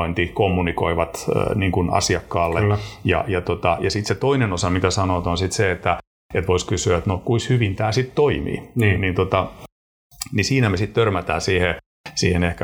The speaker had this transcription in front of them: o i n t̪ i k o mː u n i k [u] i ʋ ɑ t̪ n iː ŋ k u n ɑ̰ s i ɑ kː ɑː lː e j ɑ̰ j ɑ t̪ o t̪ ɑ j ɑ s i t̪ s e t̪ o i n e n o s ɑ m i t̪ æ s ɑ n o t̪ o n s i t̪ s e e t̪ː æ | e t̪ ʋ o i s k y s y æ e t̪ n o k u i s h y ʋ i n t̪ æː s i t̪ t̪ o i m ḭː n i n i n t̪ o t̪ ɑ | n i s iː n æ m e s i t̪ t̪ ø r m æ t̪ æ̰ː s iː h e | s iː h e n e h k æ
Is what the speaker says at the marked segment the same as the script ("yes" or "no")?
no